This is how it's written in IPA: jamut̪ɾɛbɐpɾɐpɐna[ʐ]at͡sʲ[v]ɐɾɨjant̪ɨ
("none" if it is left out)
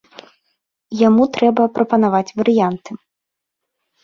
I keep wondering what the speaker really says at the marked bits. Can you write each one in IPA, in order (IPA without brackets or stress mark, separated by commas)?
v, v